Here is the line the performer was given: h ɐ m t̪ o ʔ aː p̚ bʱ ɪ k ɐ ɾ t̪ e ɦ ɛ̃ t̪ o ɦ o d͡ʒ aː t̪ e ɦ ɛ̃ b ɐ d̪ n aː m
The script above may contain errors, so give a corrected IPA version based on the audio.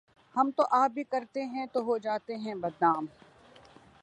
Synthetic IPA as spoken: h ɐ m t̪ o ʔ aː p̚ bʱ i k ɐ ɾ t̪ e ɦ ɛ̃ t̪ o ɦ o d͡ʒ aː t̪ e ɦ ɛ̃ b ɐ d̪ n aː m

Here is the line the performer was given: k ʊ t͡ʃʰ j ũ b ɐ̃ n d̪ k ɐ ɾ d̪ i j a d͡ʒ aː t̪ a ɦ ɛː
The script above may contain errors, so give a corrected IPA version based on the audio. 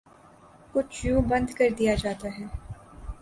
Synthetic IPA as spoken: k ʊ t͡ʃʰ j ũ b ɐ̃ n d̪ k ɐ ɾ d̪ i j a d͡ʒ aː t̪ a ɦ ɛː

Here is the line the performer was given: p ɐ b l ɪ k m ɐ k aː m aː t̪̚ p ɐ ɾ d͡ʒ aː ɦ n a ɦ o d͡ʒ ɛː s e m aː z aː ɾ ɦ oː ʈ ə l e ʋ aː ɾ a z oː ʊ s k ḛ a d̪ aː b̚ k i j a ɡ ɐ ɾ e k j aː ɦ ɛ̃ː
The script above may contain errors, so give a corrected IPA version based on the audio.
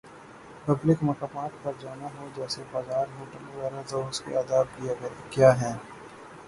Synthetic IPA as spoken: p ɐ b l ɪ k m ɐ k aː m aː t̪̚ p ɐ ɾ d͡ʒ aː n a ɦ o d͡ʒ ɛː s e b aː z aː ɾ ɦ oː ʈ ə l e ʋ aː ɾ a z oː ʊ s k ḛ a d̪ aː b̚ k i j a ɡ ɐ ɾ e k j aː ɦ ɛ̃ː

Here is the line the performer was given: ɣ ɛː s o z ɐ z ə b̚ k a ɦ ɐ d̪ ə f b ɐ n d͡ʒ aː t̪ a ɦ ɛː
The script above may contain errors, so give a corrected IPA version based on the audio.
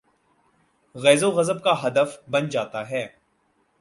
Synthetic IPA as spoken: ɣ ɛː z o ɣ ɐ z ə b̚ k a ɦ ɐ d̪ ə f b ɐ n d͡ʒ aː t̪ a ɦ ɛː

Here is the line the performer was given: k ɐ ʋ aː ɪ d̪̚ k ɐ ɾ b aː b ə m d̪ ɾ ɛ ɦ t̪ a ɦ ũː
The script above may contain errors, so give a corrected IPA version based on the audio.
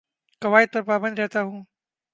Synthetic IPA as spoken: k ɐ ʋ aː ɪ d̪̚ p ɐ ɾ p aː b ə n d̪ ɾ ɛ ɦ t̪ a ɦ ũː

